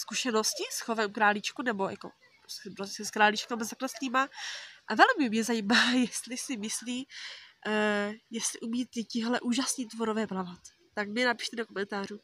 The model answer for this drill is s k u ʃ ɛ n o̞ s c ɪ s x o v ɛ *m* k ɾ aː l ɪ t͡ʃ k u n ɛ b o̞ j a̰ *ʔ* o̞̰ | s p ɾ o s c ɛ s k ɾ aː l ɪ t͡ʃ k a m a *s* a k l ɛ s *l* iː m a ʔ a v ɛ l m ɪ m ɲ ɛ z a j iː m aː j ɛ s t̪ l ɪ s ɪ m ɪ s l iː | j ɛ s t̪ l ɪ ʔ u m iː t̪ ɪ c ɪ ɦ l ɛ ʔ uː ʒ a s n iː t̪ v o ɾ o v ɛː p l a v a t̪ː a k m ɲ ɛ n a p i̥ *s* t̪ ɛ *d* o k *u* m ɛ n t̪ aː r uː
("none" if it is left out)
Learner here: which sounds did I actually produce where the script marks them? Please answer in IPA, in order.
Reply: m, k, z, l, ʃ, d, o

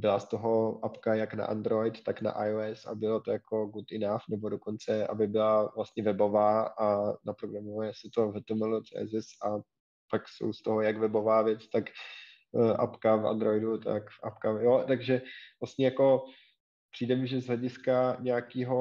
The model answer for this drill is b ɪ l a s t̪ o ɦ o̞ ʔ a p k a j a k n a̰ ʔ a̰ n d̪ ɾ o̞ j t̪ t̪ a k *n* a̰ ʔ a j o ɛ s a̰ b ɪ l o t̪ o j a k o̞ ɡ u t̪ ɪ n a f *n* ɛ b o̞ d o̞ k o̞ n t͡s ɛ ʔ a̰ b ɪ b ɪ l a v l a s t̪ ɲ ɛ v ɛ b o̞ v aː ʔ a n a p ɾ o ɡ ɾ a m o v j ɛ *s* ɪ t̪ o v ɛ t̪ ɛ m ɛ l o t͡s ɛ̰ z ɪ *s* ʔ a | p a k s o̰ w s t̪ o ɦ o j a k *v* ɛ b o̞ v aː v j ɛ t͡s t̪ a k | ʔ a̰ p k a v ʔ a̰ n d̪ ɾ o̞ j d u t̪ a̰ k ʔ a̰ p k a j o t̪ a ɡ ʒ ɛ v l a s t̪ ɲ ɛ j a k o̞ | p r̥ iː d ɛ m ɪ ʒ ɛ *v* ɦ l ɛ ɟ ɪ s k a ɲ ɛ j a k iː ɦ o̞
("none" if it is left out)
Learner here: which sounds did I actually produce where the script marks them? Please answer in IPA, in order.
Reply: n, n, s, s, v, z

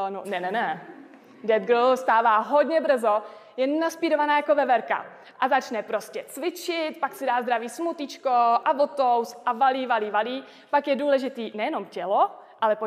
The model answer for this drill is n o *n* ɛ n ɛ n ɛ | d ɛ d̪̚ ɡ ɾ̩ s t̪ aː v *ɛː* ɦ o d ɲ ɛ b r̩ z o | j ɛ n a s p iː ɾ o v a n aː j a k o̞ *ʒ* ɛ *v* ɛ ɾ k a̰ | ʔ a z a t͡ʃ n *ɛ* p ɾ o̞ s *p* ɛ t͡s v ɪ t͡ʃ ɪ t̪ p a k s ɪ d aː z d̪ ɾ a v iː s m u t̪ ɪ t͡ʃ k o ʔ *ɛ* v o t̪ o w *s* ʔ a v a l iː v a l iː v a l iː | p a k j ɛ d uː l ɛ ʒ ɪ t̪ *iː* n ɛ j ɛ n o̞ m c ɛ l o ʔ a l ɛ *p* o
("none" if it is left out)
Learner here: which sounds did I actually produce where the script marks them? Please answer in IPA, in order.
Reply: n, aː, v, v, ɛ, c, a, s, iː, p

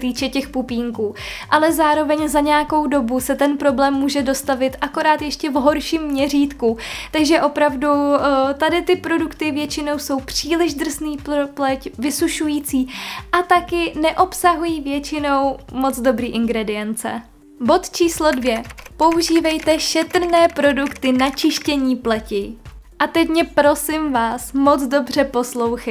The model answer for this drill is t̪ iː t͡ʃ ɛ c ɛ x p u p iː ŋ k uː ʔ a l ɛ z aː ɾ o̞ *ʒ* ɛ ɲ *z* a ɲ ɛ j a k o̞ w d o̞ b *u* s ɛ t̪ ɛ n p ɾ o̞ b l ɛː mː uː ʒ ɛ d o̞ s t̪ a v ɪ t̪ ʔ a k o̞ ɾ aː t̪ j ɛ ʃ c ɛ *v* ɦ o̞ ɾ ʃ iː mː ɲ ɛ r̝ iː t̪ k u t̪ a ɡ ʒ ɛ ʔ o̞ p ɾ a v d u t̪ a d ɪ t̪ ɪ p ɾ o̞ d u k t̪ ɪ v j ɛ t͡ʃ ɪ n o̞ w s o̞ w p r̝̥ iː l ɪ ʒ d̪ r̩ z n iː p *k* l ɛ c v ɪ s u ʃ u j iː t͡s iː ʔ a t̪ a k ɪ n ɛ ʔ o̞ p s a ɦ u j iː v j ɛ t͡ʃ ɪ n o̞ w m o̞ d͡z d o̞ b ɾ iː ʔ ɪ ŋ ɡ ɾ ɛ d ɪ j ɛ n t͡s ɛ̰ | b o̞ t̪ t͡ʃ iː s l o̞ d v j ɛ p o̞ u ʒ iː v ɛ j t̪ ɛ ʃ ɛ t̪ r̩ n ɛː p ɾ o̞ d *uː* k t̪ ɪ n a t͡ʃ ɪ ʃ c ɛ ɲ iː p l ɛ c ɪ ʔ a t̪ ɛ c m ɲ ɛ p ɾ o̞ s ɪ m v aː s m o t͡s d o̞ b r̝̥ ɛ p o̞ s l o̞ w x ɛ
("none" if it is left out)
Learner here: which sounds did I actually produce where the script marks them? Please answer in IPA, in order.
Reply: v, z, u, v, p, u

